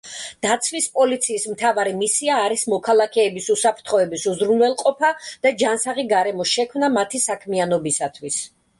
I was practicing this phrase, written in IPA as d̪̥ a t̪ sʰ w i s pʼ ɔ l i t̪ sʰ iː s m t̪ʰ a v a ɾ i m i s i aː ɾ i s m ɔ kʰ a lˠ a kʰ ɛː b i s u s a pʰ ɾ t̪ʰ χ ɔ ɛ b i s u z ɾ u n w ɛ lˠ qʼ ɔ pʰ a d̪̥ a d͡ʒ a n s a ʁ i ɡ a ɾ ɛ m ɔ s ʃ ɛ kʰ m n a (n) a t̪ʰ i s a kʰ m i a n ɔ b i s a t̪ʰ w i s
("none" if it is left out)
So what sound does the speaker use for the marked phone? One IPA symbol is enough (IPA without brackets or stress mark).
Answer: m